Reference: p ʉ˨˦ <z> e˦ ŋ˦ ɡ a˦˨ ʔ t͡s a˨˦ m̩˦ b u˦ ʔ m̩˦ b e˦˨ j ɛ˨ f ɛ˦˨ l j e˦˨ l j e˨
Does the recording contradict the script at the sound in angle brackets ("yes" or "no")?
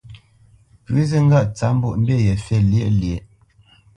no